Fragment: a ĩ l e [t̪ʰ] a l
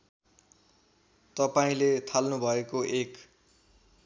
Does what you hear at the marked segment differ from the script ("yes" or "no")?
no